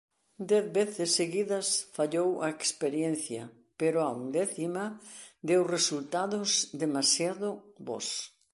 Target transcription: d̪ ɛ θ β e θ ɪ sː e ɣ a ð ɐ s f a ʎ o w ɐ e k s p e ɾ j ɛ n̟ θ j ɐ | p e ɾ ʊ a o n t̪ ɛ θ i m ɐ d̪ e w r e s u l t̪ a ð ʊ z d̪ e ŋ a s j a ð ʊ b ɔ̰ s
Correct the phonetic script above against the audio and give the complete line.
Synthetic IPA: d̪ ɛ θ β e θ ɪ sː e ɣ i ð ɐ s f a ʎ o w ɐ e k s p e ɾ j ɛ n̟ θ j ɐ | p e ɾ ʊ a u n d̪ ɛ θ i m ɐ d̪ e w r e s u l t̪ a ð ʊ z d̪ e m a s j a ð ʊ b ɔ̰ s